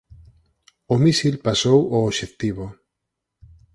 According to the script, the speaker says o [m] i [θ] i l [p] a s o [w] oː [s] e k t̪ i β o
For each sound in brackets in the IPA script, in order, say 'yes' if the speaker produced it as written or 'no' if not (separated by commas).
yes, no, yes, yes, no